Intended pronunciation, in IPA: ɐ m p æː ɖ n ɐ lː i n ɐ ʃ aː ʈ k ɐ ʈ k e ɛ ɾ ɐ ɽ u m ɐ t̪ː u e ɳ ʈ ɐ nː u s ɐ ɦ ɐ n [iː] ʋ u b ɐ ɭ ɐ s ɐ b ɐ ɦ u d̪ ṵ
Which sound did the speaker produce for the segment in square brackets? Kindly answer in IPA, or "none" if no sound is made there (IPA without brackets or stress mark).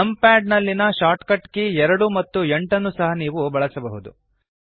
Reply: iː